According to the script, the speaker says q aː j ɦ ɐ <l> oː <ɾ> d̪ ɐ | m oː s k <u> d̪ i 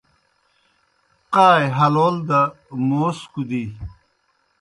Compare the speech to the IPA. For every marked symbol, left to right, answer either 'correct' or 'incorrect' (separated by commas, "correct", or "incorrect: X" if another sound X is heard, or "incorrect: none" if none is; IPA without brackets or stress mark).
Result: correct, incorrect: l, correct